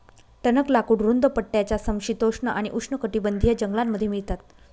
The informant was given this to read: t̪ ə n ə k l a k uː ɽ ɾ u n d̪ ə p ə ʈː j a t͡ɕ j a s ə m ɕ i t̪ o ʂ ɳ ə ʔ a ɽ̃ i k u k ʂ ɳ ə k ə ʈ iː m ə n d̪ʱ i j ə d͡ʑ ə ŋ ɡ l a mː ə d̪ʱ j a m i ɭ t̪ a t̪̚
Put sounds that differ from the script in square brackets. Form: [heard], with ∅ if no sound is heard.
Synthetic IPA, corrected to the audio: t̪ ə n ə k l a k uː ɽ ɾ u n d̪ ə p ə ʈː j a t͡ɕ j a s ə m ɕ i t̪ o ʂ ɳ ə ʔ a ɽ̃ i [ʔ] u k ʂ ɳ ə k ə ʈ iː [b] ə n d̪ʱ i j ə d͡ʑ ə ŋ ɡ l a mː ə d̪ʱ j [e] m i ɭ t̪ a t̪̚